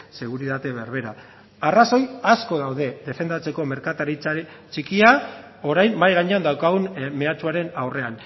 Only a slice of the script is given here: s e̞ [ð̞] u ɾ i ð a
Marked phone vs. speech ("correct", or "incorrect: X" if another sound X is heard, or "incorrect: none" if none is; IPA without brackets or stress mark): incorrect: ɣ̞